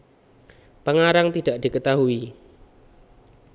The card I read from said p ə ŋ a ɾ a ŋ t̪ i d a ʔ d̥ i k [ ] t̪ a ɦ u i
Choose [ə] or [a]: ə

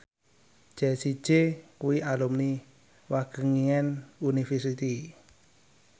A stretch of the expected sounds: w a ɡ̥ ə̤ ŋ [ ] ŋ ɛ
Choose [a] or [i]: i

